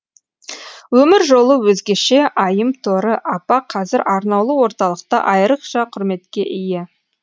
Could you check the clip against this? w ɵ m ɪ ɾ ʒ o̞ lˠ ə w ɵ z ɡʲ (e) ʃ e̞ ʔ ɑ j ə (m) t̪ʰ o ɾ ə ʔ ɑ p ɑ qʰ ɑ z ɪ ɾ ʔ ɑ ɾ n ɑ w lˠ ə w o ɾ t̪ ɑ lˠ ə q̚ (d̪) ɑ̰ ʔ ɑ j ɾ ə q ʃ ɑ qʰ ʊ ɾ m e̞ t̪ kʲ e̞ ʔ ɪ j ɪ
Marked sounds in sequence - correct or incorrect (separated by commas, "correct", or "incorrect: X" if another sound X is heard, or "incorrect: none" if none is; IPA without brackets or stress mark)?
correct, correct, incorrect: t̪